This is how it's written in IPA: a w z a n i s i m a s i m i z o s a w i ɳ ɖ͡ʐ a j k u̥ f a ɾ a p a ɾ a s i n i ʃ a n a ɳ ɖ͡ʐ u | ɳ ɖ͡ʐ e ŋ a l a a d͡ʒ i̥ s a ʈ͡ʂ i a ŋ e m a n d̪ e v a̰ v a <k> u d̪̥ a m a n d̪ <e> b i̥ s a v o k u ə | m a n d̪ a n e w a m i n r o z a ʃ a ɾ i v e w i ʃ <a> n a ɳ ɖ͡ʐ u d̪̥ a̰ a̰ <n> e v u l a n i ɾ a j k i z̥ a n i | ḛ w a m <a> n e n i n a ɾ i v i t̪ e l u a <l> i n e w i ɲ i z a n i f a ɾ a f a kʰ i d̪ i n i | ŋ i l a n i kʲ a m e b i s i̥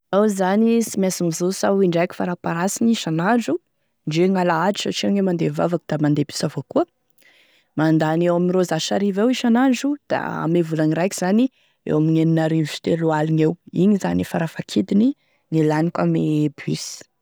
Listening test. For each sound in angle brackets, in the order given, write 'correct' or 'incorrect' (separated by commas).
correct, correct, correct, incorrect, incorrect, correct